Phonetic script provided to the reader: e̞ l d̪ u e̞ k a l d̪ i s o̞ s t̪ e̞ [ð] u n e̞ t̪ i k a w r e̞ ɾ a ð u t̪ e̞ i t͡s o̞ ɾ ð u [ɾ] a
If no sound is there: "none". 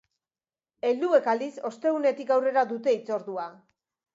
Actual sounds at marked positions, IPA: ɣ, none

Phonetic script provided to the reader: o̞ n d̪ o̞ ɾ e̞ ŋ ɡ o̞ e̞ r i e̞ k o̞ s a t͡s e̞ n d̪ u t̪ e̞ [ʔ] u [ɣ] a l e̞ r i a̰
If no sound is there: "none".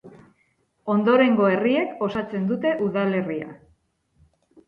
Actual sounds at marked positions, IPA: ʔ, ð

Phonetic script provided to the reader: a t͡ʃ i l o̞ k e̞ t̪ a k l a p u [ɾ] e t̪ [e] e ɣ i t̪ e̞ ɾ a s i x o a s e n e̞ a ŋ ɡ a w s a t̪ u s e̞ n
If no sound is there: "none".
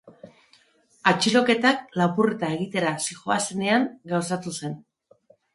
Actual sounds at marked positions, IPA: r, a

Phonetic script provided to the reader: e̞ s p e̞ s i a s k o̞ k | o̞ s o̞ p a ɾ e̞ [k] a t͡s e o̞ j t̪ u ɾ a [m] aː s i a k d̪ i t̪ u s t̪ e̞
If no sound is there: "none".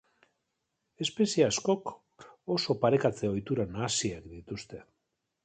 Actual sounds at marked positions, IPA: k, n

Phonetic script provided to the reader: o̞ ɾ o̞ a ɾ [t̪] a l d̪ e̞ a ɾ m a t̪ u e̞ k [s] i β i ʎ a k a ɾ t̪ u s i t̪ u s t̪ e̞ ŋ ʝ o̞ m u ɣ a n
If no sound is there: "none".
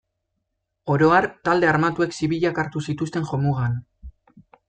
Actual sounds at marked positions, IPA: t̪, s

